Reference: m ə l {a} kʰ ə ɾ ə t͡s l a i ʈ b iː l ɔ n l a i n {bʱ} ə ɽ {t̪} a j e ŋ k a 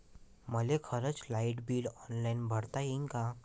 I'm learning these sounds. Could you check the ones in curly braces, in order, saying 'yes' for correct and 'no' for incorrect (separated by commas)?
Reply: no, yes, yes